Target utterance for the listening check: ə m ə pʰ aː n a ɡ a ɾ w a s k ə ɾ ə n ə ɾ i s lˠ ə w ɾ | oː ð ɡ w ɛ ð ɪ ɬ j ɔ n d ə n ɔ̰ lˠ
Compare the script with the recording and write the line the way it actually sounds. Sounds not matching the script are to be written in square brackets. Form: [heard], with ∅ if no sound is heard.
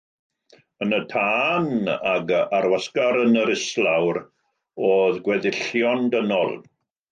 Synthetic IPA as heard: ə [n] ə [tʰ] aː n a ɡ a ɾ w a s k [a] ɾ ə n ə ɾ [ɪ] s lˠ [a] w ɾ | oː ð ɡ w ɛ ð ɪ ɬ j ɔ n d ə n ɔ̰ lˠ